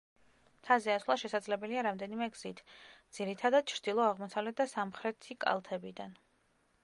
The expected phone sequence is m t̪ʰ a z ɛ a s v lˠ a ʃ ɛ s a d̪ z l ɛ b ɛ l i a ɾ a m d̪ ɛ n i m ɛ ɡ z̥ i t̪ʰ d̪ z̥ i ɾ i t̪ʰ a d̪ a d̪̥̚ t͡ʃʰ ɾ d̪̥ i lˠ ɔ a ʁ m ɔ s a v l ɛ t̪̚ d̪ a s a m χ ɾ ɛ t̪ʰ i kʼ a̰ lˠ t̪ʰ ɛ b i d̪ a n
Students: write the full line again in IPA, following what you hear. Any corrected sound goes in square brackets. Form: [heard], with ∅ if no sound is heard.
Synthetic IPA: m t̪ʰ a z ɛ a s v lˠ a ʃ ɛ s a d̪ z l ɛ b ɛ l i a ɾ a m d̪ ɛ n i m ɛ ɡ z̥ i t̪ʰ d̪ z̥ i ɾ i t̪ʰ a d̪ a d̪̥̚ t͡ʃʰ ɾ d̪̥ i lˠ ɔ a ʁ m ɔ s a v l ɛ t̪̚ d̪ a s a m χ ɾ ɛ t̪ʰ i kʼ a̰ lˠ t̪ʰ ɛ b i d̪ a n